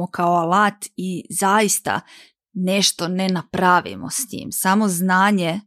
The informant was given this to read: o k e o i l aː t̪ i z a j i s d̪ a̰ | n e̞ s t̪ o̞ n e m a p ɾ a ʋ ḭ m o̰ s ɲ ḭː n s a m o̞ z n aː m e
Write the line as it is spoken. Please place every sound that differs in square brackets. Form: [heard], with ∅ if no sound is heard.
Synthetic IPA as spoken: o k [a] o [a] l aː t̪ i z a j i s [t̪] a̰ | n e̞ [ʃ] t̪ o̞ n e [n] a p ɾ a ʋ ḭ m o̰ s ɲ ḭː [m] s a m o̞ z n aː [ɲ] e